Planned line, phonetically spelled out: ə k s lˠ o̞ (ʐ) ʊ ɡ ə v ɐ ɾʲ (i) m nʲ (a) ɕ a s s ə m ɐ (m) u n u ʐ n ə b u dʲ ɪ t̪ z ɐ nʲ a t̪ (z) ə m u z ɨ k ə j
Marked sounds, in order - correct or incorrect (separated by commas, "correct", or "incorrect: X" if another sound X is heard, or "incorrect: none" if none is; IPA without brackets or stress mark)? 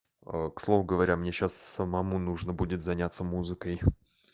incorrect: v, incorrect: a, incorrect: e, correct, incorrect: s